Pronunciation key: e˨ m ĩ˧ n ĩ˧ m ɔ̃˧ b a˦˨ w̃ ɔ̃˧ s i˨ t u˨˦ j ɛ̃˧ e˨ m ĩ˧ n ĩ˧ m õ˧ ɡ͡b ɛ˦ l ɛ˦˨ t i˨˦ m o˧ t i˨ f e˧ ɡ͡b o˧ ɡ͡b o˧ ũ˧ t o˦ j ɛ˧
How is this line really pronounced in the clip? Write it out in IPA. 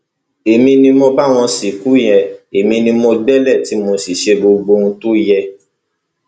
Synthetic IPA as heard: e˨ m ĩ˧ n ĩ˧ m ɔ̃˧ b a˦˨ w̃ ɔ̃˧ s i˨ k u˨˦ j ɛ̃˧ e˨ m ĩ˧ n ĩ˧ m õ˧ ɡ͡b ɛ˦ l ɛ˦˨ t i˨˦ m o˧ s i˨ ʃ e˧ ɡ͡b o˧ ɡ͡b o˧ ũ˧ t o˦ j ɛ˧